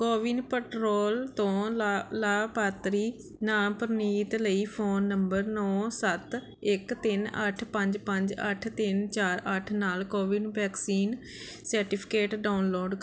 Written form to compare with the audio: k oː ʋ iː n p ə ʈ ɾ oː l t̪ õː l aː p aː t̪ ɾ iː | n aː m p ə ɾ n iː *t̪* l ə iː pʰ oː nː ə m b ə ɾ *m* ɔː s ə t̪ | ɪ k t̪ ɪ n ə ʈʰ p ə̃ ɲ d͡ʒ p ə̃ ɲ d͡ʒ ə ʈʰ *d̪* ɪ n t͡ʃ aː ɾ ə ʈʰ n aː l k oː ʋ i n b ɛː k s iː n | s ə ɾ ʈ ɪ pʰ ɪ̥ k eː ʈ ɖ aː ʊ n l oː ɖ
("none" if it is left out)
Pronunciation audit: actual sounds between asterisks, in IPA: t̪, n, t̪

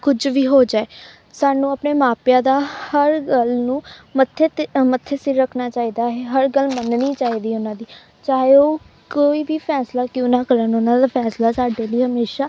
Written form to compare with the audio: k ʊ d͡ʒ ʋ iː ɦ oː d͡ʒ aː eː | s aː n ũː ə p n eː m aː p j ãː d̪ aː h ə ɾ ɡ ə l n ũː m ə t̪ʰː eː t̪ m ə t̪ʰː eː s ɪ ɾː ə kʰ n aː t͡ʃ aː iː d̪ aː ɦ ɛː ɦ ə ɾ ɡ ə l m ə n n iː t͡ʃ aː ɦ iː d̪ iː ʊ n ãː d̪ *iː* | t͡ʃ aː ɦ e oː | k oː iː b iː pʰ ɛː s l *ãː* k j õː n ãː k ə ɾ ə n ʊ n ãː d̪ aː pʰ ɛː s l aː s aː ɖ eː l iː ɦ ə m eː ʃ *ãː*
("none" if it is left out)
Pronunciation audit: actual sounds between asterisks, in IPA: iː, aː, aː

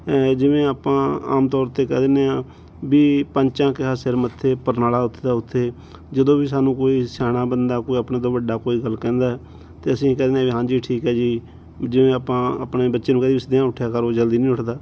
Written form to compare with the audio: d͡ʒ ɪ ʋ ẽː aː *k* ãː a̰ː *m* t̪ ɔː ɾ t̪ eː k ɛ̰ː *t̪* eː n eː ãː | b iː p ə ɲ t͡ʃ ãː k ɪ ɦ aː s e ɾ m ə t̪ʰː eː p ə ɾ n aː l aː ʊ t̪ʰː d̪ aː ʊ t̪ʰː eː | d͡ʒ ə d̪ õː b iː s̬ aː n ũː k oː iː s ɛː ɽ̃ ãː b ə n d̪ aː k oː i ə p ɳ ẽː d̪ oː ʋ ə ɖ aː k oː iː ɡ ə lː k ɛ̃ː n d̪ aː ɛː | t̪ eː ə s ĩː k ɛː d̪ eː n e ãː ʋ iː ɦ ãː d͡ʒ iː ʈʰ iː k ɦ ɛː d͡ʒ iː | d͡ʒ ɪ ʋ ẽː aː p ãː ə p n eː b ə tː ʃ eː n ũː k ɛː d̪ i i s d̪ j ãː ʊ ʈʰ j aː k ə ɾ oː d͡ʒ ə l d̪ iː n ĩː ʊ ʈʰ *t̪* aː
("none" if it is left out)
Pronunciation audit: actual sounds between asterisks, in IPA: p, m, d̪, d̪

